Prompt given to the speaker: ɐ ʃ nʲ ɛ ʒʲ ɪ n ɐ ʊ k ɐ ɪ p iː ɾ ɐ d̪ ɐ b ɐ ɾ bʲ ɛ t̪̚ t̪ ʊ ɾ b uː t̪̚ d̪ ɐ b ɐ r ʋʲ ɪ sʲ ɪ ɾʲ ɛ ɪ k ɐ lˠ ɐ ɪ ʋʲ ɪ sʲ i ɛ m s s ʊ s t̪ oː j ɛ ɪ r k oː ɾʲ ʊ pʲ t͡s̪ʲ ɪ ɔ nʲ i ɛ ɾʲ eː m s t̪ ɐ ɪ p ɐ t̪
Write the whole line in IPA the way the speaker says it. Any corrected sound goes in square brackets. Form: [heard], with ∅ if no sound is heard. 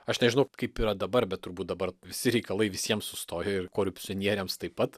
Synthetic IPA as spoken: ɐ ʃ nʲ ɛ ʒʲ ɪ n ɐ ʊ k ɐ ɪ p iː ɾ ɐ d̪ ɐ b ɐ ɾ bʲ ɛ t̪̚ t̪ ʊ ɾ b uː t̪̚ d̪ ɐ b ɐ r ʋʲ ɪ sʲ ɪ ɾʲ ɛ ɪ k ɐ lˠ ɐ ɪ ʋʲ ɪ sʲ i ɛ m s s ʊ s t̪ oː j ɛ ɪ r k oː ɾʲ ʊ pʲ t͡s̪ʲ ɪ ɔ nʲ i ɛ ɾʲ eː m s t̪ ɐ ɪ p ɐ t̪